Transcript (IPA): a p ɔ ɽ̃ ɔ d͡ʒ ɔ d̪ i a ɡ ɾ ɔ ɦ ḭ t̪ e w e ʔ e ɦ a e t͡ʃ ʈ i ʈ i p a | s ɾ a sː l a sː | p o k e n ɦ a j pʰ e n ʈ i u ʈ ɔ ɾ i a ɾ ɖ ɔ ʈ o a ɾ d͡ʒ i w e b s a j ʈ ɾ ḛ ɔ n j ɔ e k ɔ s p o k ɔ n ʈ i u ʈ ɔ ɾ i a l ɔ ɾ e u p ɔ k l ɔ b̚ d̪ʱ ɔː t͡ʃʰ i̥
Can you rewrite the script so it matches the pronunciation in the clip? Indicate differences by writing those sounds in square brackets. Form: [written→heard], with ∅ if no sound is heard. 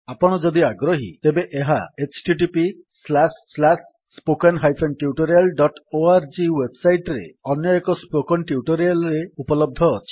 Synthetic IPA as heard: a p ɔ ɽ̃ ɔ d͡ʒ ɔ d̪ i a ɡ ɾ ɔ ɦ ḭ t̪ e [w→b] e ʔ e ɦ a e t͡ʃ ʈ i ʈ i p [a→i] | s [ɾ→l] a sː l a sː | p o k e n ɦ a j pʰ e n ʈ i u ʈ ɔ ɾ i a [ɾ→l] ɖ ɔ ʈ o a ɾ d͡ʒ i w e b s a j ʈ ɾ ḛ ɔ n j ɔ e k ɔ s p o k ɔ n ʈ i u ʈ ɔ ɾ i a l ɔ ɾ e u p ɔ [k→∅] l ɔ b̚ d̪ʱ ɔː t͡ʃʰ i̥